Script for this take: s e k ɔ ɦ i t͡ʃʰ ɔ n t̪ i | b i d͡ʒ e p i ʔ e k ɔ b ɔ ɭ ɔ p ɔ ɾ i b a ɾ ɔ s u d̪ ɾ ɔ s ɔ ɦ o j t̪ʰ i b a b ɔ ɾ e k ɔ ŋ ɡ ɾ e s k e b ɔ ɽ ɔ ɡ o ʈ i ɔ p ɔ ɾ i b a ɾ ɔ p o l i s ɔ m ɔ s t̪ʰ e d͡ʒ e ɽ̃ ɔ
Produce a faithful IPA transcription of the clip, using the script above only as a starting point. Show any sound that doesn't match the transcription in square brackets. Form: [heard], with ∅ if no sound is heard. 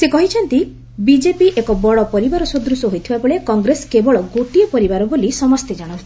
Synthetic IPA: s e k ɔ ɦ i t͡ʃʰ ɔ n t̪ i | b i d͡ʒ e p i ʔ e k ɔ b ɔ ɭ ɔ p ɔ ɾ i b a ɾ ɔ s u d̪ ɾ [u] s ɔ ɦ o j t̪ʰ i b a b ɔ [ɭ] e k ɔ ŋ ɡ ɾ e s k e b ɔ [ɭ] ɔ ɡ o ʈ i ɔ p ɔ ɾ i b a ɾ ɔ [b] o l i s ɔ m ɔ s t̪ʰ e d͡ʒ [a] ɽ̃ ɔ